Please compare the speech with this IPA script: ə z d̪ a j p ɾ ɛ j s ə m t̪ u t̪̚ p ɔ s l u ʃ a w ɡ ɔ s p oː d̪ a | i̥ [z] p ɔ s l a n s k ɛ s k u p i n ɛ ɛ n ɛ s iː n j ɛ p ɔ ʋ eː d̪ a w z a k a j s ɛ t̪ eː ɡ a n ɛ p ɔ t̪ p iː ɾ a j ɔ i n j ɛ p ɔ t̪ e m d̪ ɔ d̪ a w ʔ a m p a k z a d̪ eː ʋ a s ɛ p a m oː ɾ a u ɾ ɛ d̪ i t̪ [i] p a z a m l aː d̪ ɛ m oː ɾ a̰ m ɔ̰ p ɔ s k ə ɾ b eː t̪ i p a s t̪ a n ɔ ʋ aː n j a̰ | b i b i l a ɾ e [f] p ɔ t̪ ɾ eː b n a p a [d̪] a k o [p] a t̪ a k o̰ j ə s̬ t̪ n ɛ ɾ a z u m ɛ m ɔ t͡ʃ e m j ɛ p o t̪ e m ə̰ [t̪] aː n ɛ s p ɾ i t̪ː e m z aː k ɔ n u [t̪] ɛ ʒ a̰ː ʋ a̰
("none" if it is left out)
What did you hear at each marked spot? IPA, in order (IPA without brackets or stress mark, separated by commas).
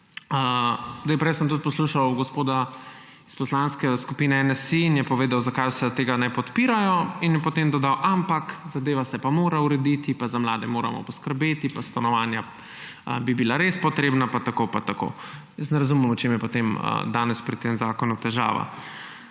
s, i, s, t̪, p, d̪, t̪